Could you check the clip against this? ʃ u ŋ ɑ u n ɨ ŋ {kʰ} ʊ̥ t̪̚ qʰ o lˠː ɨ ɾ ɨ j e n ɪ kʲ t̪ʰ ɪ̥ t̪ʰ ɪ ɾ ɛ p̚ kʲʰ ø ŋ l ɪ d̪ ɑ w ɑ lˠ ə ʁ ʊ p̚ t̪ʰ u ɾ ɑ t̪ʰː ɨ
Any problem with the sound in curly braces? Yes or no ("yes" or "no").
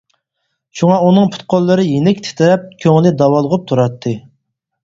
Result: yes